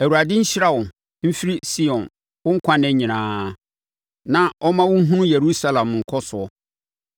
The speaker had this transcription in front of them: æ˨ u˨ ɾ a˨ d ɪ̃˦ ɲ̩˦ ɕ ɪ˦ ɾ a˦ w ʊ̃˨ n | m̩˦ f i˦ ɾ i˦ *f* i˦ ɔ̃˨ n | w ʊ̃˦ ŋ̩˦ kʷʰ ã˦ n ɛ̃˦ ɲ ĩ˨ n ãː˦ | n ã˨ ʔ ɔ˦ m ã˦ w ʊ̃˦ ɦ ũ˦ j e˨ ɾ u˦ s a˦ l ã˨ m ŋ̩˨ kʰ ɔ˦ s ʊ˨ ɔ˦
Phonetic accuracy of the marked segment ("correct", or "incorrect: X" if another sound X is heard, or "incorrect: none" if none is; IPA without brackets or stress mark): incorrect: s